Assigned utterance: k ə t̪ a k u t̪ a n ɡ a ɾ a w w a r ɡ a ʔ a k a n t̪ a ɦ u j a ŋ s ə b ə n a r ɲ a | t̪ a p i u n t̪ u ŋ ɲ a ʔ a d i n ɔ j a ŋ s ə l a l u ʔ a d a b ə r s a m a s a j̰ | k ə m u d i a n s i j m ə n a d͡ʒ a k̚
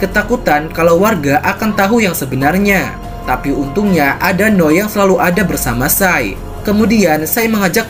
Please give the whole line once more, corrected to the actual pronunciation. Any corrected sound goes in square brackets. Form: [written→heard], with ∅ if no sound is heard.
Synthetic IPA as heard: k ə t̪ a k u t̪ a n [ɡ→k] a [ɾ→l] a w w a r ɡ a ʔ a k a n t̪ a ɦ u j a ŋ s ə b ə n a r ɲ a | t̪ a p i u n t̪ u ŋ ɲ a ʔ a d [i→a] n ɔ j a ŋ s ə l a l u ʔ a d a b ə r s a m a s a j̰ | k ə m u d i a n s [i→a] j m ə [n→ŋ] a d͡ʒ a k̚